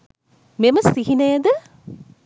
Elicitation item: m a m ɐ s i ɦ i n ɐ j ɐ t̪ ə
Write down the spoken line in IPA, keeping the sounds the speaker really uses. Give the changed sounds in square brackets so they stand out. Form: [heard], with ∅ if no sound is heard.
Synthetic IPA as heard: m [e] m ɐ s i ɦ i n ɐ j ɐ [d̪] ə